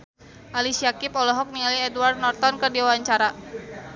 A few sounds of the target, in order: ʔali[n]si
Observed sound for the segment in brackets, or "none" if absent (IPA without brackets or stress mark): none